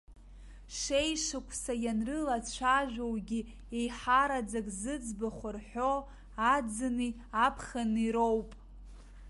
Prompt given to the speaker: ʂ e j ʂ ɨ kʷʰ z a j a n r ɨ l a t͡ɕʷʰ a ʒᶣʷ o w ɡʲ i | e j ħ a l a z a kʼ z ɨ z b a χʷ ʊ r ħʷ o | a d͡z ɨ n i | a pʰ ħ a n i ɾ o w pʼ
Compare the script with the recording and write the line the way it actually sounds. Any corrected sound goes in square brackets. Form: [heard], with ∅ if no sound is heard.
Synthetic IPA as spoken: ʂ e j ʂ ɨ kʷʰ [s] a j a n r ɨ l a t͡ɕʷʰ a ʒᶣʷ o w ɡʲ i | e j ħ a [ɾ] a [d͡z] a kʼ z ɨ [d͡z] b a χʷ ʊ r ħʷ o | a d͡z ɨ n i | a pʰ [χ] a n i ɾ o w pʼ